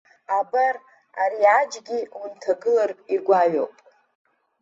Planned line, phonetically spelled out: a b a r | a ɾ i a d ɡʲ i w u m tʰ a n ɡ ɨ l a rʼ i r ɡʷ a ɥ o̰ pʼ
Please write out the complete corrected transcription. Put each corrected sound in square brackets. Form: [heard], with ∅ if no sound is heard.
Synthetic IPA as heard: a b a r | a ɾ i a [d͡ʒ] ɡʲ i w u [n] tʰ a [∅] ɡ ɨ l a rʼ i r ɡʷ a ɥ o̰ pʼ